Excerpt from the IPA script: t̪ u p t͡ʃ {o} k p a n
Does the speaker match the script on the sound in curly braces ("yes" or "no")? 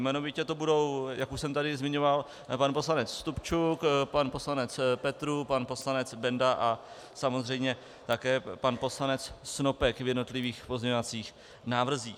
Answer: no